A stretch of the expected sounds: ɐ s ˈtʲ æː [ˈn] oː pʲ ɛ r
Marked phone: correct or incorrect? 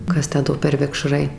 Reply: incorrect